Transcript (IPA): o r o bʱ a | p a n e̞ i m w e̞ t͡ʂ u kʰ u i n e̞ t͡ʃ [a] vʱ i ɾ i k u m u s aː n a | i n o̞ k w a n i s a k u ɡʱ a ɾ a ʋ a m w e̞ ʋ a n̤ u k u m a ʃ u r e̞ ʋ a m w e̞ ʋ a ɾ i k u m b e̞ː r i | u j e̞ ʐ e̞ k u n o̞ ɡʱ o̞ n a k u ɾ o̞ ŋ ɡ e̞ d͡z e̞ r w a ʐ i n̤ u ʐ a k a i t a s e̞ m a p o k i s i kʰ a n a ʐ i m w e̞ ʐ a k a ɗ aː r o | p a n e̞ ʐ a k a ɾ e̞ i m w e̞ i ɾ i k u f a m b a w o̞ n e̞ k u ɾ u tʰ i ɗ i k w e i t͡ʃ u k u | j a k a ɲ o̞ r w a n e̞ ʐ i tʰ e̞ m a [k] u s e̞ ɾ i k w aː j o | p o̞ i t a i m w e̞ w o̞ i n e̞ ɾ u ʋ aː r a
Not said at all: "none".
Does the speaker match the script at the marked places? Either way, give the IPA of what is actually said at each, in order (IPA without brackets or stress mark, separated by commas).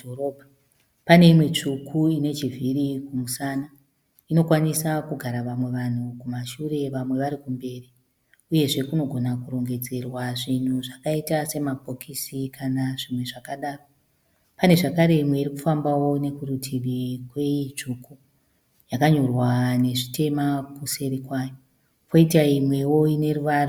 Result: i, k